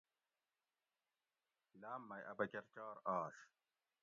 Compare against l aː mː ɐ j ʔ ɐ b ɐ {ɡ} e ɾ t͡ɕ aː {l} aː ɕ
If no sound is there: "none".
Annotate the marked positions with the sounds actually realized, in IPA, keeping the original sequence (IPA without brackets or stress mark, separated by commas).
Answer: k, ɾ